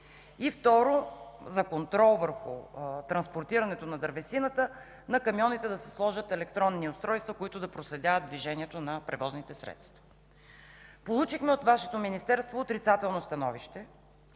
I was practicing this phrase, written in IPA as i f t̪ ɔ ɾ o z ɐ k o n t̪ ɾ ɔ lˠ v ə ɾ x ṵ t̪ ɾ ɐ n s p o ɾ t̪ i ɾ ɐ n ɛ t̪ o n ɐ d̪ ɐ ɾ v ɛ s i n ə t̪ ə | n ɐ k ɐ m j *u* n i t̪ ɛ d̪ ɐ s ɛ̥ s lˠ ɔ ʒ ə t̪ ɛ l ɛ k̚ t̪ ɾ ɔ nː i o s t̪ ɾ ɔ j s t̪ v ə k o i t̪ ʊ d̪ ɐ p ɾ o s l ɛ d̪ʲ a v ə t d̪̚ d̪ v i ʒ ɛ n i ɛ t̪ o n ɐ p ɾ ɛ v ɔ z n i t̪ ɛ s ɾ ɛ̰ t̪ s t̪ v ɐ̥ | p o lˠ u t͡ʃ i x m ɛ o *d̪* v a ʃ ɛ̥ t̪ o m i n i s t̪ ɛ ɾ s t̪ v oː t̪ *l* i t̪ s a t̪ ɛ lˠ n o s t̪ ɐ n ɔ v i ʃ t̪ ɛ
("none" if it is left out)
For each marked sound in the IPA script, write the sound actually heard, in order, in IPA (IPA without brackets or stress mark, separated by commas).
ɔ, t̪, ɾ